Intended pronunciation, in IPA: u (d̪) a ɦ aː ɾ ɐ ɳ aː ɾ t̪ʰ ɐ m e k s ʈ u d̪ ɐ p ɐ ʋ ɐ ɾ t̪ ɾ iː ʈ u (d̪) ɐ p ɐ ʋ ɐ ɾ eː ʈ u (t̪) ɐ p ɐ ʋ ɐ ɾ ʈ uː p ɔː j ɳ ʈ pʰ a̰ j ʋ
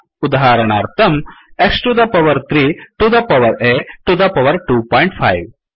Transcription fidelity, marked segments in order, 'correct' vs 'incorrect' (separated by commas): correct, correct, incorrect